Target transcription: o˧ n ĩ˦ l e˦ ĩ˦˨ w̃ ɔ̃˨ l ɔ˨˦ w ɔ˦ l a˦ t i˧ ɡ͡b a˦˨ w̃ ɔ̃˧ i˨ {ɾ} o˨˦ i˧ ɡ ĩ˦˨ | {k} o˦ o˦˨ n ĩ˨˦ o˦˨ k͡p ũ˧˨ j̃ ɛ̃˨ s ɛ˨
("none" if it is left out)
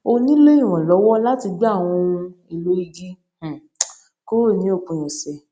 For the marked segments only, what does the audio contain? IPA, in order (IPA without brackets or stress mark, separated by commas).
l, k